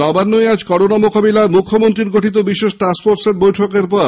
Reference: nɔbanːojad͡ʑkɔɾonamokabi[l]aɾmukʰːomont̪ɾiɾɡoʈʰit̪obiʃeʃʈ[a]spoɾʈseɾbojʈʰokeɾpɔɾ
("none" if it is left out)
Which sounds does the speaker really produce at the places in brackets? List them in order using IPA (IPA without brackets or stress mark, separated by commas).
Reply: l, a